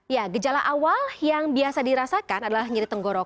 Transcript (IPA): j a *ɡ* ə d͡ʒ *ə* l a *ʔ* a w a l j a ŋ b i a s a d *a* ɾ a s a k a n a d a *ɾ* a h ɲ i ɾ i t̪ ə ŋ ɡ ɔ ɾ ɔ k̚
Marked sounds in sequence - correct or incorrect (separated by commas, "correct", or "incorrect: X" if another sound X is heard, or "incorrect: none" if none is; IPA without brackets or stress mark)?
correct, incorrect: a, correct, incorrect: i, incorrect: l